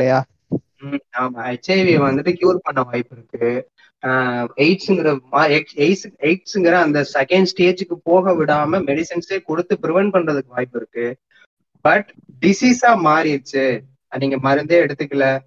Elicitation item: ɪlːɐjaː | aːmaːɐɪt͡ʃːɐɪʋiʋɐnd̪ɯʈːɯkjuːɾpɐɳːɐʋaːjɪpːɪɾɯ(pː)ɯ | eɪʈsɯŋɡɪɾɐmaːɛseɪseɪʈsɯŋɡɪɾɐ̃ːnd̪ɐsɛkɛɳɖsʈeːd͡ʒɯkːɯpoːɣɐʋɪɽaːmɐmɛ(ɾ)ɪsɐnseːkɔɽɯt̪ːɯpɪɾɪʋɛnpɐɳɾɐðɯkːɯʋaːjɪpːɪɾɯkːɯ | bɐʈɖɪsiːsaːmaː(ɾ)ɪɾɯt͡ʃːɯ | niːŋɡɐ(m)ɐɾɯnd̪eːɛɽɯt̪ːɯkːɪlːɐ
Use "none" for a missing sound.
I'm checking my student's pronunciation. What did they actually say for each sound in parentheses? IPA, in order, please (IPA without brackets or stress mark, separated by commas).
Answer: kː, ɽ, ɾ, m